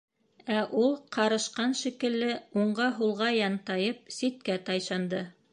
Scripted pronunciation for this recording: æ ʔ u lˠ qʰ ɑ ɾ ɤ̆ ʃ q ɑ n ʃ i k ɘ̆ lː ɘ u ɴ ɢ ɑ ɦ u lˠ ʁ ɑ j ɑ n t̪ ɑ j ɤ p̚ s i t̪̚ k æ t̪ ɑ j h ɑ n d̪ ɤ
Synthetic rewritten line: æ ʔ u lˠ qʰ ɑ ɾ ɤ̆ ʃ q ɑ n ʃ i k ɘ̆ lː ɘ u ɴ ɢ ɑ ɦ u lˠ ʁ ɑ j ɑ n t̪ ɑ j ɤ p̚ s i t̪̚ k æ t̪ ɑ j ʃ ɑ n d̪ ɤ

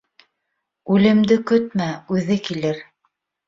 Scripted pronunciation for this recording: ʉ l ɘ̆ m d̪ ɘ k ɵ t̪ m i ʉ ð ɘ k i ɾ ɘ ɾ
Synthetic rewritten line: ʉ l ɘ̆ m d̪ ɘ k ɵ t̪ m æ ʉ ð ɘ k i l ɘ ɾ

